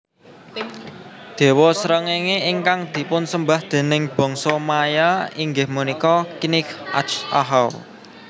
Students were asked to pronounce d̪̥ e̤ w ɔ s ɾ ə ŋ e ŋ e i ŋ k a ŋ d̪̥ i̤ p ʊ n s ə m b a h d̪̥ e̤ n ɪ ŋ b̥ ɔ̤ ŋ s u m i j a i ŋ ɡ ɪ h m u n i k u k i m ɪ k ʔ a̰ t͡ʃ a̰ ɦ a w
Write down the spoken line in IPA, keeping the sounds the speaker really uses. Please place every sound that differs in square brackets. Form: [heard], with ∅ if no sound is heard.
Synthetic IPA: d̪̥ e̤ w ɔ s ɾ ə ŋ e ŋ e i ŋ k a ŋ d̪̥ i̤ p ʊ n s ə m b a h d̪̥ e̤ n ɪ ŋ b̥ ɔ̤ ŋ s [ɔ] m [a] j a i ŋ ɡ ɪ h m u n i k [ɔ] k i [n] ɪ k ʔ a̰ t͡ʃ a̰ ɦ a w